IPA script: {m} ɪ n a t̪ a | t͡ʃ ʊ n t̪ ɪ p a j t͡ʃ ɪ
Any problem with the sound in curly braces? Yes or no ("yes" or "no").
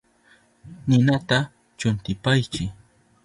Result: yes